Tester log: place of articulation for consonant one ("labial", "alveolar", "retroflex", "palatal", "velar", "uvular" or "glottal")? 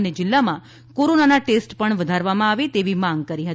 alveolar